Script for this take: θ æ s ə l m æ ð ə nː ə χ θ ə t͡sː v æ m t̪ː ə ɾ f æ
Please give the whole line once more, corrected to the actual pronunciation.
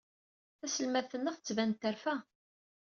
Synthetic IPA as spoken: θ æ s ə l m æ θ ə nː ə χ θ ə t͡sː v æ n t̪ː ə ɾ f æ